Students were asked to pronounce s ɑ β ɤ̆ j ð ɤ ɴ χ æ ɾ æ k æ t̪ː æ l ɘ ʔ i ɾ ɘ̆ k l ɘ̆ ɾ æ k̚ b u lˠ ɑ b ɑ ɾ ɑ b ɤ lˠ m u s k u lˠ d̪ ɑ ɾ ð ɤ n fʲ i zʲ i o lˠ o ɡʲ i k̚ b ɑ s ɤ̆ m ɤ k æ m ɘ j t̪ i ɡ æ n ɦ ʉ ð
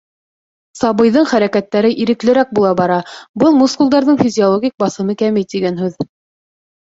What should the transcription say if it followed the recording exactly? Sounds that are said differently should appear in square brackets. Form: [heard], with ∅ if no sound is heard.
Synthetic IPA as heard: s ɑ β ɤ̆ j ð ɤ ɴ χ æ ɾ æ k æ t̪ː æ [ɾ] ɘ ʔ i ɾ ɘ̆ k l ɘ̆ ɾ æ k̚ b u lˠ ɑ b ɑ ɾ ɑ b ɤ lˠ m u s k u lˠ d̪ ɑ ɾ ð ɤ [ɴ] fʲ i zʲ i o lˠ o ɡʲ i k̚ b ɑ s ɤ̆ m ɤ k æ m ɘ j t̪ i ɡ æ n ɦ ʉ ð